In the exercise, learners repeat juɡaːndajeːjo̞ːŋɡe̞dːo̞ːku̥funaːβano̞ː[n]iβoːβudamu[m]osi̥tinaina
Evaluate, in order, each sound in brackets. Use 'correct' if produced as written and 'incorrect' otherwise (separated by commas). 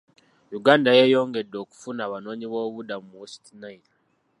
incorrect, correct